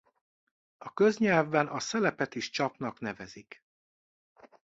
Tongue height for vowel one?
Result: low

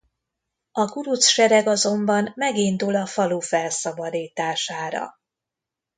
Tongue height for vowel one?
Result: low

